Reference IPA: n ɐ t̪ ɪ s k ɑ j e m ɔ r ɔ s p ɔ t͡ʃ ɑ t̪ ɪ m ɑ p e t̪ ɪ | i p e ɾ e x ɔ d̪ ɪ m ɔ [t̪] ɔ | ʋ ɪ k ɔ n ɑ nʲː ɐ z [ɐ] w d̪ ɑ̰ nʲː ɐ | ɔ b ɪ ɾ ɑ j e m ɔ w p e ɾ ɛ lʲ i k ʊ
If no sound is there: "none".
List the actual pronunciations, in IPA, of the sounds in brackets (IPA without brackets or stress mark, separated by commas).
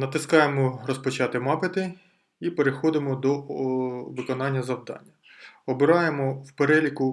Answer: d̪, ɐ